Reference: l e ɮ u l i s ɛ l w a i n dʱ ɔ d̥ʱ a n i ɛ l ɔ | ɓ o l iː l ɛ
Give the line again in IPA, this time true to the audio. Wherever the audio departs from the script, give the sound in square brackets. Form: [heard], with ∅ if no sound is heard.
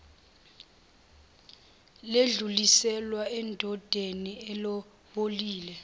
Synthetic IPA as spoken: l e ɮ u l i s ɛ l w a [ɛ] n dʱ ɔ d̥ʱ [e] n i ɛ l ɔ | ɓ o l iː l ɛ